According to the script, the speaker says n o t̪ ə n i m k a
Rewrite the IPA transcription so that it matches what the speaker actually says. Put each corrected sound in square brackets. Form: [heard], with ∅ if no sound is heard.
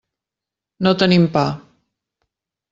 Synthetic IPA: n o t̪ ə n i m [p] a